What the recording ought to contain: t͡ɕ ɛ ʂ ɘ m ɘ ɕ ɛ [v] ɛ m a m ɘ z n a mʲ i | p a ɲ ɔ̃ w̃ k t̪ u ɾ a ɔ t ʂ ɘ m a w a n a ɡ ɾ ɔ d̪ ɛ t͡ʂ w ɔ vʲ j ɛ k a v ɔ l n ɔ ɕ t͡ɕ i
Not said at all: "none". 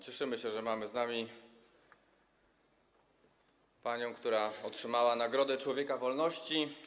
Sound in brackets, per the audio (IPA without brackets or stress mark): ʐ